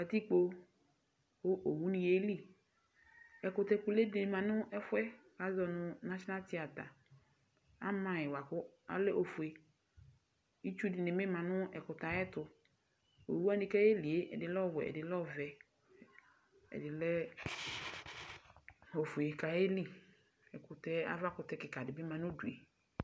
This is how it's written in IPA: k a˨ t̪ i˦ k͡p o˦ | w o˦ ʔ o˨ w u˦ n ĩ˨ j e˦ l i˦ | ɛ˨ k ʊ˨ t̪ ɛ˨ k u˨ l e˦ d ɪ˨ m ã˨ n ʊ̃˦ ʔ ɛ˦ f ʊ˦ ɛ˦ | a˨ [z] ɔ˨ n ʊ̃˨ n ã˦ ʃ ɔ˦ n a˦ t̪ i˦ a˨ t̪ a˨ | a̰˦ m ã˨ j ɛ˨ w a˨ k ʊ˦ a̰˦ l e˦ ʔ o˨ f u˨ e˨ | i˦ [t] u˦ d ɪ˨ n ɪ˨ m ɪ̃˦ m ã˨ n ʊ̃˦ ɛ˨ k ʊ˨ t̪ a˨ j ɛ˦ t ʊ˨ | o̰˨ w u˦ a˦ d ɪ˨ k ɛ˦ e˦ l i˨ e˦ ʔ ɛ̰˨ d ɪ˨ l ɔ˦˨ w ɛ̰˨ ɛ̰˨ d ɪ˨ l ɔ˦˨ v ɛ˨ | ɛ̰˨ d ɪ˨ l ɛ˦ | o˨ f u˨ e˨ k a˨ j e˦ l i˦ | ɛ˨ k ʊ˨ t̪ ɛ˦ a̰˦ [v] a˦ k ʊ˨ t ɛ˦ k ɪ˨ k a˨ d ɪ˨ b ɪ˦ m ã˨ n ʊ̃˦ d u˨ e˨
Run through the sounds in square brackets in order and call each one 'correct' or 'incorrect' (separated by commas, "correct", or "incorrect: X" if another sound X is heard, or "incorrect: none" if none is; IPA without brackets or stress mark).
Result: correct, incorrect: t͡ʃ, correct